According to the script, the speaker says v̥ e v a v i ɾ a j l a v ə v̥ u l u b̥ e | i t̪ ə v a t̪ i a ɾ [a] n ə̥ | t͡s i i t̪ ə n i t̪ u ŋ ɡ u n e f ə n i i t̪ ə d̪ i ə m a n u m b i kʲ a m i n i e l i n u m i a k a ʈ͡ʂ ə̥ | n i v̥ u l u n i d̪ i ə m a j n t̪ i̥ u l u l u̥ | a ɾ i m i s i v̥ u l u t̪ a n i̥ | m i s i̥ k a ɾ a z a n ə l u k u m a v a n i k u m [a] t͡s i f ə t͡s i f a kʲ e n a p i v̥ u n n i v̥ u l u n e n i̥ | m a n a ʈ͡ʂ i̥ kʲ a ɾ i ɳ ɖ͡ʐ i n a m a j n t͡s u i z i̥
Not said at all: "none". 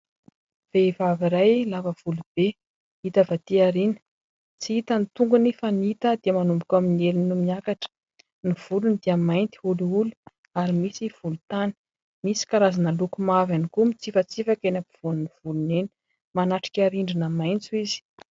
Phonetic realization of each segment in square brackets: i, i

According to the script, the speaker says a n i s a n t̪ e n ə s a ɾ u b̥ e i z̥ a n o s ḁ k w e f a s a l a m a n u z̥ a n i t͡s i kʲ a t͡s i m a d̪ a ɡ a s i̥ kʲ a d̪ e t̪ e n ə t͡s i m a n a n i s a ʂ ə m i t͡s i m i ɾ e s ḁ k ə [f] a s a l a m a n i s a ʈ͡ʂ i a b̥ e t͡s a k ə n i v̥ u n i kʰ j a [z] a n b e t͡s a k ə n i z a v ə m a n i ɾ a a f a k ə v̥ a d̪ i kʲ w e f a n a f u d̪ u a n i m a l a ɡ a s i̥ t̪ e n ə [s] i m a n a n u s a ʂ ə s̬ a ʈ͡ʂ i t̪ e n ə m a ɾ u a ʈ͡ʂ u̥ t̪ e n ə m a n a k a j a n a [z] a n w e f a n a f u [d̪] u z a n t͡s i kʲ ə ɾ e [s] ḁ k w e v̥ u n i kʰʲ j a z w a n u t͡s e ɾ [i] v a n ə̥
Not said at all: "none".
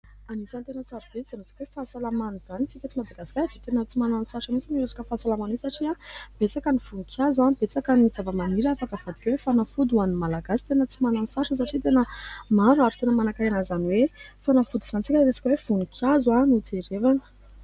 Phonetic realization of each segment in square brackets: f, z, t͡s, z, d̪, s, e

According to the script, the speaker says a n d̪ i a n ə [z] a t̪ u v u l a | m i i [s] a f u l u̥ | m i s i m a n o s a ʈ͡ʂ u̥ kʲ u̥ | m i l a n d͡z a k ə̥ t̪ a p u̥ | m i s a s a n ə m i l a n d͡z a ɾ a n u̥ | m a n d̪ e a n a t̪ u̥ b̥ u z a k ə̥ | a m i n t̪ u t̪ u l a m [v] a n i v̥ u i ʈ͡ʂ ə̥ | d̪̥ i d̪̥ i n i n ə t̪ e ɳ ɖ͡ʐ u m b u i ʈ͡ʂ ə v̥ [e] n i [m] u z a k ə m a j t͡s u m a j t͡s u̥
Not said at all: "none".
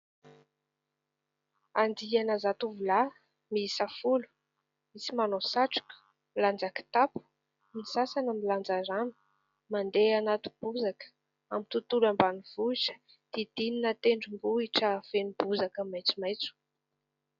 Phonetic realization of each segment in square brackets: z, s, b, e, b

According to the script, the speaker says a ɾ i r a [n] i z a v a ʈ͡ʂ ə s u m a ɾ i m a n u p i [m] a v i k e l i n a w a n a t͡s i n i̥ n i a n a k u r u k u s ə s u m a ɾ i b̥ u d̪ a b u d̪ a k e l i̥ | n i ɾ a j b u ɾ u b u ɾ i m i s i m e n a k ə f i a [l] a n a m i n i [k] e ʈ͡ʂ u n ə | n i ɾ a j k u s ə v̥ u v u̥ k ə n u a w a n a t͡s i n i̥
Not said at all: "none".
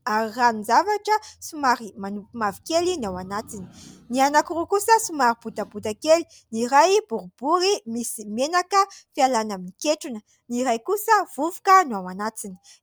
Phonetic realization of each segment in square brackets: n, m, l, k

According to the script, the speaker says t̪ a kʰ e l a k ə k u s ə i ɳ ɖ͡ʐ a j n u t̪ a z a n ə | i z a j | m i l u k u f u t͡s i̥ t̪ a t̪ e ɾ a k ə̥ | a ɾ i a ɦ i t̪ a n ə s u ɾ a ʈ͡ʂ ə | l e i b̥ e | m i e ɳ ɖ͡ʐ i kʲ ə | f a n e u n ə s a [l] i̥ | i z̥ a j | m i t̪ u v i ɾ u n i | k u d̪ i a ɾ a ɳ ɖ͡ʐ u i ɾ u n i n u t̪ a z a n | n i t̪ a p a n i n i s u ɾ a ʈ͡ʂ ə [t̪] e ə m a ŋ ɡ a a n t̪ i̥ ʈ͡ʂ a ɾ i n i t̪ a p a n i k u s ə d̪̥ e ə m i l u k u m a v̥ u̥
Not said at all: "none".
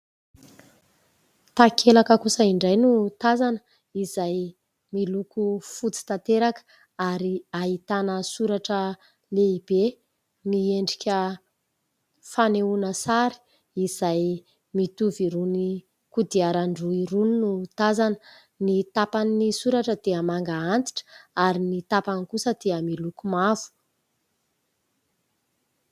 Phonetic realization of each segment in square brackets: ɾ, d̪

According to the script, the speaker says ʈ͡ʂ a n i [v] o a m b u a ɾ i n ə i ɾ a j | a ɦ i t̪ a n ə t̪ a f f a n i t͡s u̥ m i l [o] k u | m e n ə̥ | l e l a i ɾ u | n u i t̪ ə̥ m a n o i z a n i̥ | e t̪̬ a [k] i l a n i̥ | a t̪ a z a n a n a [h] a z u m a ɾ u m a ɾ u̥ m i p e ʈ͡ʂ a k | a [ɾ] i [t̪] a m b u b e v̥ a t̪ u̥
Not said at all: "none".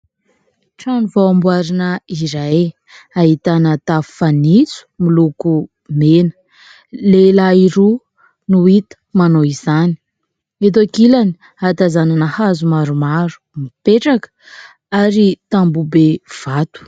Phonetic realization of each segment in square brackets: v, u, k, h, ɾ, t̪

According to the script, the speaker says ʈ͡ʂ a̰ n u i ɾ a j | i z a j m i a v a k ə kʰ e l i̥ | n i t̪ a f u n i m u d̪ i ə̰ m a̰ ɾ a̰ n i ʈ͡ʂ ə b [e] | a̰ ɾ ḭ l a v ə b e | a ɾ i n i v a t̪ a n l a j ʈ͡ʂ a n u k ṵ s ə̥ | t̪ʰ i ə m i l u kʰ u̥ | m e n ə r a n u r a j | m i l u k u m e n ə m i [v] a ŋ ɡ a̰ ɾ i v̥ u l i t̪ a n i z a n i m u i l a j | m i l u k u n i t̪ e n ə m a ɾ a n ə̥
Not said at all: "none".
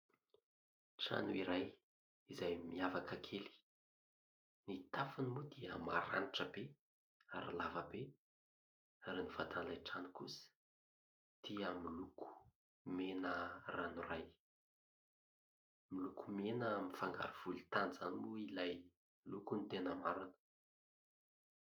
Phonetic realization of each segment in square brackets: e, f

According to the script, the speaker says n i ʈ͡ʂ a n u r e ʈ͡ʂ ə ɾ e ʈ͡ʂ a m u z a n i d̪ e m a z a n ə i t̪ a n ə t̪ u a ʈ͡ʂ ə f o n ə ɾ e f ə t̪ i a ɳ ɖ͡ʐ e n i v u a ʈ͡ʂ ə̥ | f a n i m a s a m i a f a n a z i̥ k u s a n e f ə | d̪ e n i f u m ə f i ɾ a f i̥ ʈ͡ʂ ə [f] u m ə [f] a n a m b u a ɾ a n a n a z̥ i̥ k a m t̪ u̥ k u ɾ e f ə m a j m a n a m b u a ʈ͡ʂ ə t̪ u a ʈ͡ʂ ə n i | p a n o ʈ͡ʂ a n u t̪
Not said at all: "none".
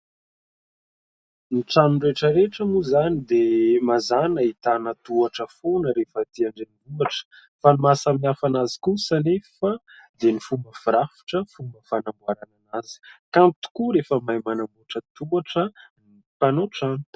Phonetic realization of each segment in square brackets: f, f

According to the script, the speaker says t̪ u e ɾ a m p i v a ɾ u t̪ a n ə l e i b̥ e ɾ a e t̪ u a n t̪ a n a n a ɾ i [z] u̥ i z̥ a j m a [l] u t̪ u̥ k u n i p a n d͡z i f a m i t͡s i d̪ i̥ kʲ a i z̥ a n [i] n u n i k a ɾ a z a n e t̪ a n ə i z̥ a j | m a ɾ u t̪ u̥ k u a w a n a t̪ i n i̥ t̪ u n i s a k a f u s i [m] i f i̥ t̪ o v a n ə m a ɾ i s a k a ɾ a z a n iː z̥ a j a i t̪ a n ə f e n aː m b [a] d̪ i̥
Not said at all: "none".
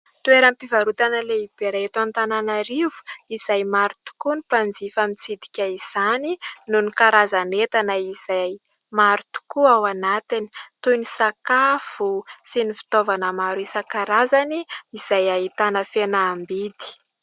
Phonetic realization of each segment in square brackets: v, ɾ, i, n, i

